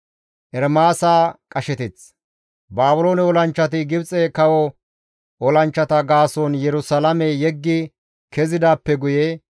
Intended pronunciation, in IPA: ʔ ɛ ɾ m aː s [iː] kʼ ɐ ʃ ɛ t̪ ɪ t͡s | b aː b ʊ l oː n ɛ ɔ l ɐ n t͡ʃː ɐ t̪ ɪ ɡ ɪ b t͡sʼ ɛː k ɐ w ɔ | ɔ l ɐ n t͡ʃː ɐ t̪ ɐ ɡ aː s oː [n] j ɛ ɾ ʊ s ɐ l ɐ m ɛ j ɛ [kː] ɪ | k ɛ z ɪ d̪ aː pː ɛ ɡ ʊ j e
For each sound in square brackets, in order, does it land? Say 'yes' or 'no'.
no, yes, no

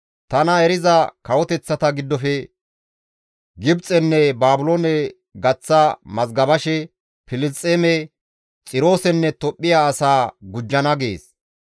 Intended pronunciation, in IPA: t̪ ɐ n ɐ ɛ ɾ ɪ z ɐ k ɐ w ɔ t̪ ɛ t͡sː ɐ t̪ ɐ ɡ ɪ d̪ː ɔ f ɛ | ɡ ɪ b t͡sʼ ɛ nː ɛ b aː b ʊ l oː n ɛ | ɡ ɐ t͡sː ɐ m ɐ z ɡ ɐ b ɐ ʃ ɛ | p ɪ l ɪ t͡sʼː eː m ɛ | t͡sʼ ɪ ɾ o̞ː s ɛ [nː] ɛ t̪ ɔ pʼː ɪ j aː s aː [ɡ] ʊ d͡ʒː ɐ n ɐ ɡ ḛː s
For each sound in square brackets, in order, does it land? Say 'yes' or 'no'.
yes, yes

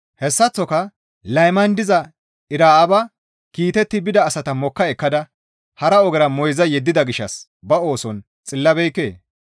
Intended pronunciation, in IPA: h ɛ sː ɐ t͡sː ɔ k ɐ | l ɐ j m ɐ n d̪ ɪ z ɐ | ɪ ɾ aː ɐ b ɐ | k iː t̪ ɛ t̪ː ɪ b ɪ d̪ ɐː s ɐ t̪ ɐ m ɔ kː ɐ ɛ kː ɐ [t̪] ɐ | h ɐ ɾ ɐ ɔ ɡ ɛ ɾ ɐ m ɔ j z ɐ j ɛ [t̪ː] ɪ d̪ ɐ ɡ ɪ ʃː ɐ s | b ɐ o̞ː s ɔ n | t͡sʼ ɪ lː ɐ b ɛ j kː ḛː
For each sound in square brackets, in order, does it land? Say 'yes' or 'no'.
no, no

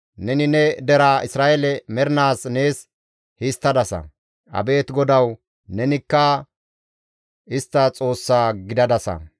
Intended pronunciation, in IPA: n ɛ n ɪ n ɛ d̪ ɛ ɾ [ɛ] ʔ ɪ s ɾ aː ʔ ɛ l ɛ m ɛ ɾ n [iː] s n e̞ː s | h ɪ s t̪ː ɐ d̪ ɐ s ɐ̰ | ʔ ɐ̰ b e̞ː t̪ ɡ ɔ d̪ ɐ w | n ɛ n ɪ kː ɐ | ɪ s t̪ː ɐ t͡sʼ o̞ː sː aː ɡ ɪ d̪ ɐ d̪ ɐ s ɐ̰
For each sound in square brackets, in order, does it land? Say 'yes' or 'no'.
no, no

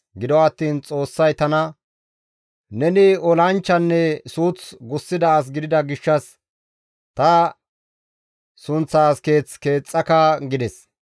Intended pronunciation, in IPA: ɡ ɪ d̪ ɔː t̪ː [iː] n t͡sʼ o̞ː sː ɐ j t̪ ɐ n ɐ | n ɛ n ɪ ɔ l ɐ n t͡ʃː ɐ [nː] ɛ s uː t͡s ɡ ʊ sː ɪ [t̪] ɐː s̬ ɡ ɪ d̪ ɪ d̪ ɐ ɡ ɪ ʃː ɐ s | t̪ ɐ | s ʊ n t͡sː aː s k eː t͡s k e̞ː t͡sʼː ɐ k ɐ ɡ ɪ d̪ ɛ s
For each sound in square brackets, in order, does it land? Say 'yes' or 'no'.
yes, yes, no

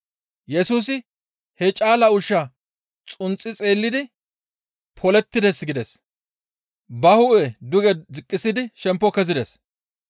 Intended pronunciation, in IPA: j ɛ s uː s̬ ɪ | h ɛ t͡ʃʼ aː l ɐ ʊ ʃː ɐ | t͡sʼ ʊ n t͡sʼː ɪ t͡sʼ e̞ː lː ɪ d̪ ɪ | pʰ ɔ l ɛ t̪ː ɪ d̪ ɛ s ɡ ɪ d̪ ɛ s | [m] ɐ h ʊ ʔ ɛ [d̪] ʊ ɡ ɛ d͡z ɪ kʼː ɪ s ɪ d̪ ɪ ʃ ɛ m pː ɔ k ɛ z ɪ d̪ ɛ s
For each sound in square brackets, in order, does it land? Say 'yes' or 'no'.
no, yes

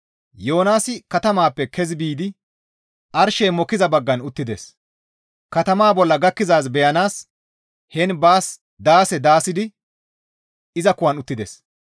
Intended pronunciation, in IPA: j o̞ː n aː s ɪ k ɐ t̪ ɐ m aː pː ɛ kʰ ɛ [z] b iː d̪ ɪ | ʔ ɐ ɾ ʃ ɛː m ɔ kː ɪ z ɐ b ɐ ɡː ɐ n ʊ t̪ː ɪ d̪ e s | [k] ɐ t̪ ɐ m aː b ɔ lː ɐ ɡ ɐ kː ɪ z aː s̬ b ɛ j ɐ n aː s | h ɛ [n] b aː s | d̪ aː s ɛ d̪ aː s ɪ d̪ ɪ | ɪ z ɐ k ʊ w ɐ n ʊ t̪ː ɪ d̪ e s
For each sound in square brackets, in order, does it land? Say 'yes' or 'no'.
yes, yes, yes

